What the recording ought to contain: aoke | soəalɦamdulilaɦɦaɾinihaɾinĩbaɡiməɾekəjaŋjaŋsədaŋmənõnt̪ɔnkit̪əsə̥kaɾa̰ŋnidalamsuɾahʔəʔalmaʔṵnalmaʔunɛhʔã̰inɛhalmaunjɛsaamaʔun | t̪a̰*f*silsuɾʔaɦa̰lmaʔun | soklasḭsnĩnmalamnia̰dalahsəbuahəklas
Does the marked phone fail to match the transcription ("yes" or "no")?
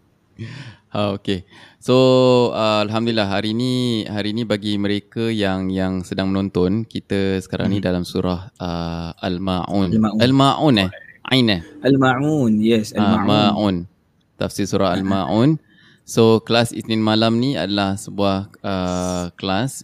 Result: no